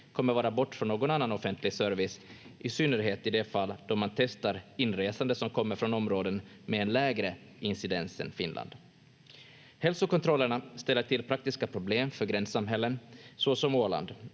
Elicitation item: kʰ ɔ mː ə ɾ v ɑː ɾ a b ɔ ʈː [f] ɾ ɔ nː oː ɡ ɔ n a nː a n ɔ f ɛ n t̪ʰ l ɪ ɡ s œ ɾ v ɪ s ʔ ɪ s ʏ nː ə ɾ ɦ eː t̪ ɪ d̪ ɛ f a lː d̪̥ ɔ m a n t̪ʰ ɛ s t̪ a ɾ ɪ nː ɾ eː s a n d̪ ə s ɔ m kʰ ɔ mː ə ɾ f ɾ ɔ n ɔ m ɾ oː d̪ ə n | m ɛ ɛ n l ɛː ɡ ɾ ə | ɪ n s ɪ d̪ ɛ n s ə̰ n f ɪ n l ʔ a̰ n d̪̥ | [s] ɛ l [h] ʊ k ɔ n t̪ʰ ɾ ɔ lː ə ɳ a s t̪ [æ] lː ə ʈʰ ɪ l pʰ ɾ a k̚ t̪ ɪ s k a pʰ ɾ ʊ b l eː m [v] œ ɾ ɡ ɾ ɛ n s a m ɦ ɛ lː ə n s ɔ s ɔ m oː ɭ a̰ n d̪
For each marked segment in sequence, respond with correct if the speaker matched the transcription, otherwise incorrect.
correct, incorrect: h, incorrect: s, incorrect: ɛ, incorrect: f

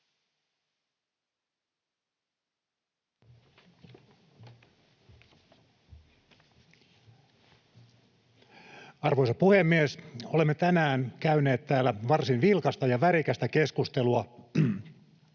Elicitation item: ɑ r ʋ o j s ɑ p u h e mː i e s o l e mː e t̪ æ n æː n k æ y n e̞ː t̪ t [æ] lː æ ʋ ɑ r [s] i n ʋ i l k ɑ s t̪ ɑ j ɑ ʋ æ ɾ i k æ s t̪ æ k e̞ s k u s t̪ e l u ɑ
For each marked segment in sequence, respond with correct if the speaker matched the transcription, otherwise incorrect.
incorrect: æː, correct

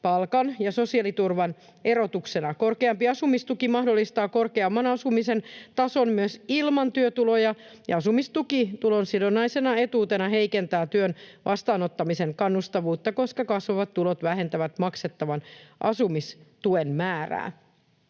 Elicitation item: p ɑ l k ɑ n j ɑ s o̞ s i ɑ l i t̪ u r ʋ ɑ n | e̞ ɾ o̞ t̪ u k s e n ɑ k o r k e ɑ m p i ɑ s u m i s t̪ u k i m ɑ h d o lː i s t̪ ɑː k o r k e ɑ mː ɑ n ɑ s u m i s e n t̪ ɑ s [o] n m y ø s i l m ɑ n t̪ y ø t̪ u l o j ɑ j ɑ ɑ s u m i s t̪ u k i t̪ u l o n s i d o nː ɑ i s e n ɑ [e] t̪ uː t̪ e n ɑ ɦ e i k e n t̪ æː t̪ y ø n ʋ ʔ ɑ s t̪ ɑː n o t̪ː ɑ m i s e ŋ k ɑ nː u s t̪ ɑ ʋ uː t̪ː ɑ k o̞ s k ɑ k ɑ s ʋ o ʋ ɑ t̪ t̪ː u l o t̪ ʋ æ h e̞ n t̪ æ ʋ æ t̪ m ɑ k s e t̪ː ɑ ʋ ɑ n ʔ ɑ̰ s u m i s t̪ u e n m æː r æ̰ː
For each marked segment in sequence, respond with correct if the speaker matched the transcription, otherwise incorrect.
correct, correct

